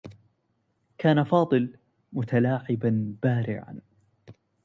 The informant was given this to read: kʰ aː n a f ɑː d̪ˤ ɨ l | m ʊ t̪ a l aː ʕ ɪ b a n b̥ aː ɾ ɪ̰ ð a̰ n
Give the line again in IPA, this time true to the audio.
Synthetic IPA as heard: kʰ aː n a f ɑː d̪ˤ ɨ l | m ʊ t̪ a l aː ʕ ɪ b a n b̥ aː ɾ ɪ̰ ʕ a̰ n